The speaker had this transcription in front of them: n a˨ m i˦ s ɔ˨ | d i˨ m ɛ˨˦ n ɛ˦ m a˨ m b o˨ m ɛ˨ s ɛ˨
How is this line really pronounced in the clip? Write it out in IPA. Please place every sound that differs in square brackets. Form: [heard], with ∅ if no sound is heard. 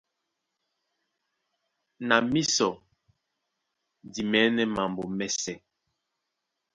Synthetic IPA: n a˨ m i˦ s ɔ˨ | d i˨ m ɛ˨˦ n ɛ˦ m a˨ m b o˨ m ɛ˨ s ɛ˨